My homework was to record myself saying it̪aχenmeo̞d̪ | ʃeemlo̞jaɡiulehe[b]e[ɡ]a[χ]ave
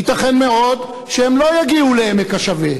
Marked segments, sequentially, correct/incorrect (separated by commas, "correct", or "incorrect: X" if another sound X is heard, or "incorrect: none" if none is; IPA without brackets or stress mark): incorrect: m, incorrect: k, incorrect: ʃ